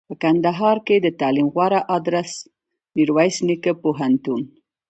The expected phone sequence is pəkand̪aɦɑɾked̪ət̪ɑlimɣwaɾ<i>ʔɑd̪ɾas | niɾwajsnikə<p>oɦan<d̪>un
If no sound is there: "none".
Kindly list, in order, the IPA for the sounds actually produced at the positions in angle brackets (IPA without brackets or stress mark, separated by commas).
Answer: a, p, t̪